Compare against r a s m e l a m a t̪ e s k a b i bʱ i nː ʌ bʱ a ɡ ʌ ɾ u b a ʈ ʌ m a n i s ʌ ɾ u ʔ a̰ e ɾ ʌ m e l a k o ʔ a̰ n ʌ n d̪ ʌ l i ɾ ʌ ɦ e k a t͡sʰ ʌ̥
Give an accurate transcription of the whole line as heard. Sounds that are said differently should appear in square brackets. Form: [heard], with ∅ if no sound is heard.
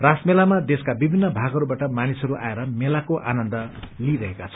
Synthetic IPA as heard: r a s m e l a m a [d̪] e s k a b i bʱ i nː ʌ bʱ a ɡ ʌ ɾ u b a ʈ ʌ m a n i s ʌ ɾ u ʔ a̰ e ɾ ʌ m e l a k o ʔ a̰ n ʌ n d̪ ʌ l i ɾ ʌ ɦ e k a t͡sʰ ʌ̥